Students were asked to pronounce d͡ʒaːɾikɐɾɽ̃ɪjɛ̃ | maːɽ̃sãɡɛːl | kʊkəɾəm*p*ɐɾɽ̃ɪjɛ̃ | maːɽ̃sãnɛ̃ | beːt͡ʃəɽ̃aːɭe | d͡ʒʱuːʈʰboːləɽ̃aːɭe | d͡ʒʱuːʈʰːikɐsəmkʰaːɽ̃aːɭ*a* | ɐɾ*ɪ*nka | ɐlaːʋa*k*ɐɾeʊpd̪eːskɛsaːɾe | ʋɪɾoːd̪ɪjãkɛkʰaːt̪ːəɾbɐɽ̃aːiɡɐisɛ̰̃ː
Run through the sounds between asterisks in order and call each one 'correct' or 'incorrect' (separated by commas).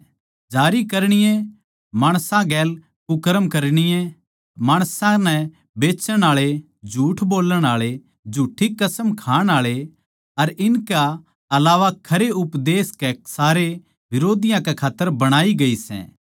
incorrect, incorrect, correct, incorrect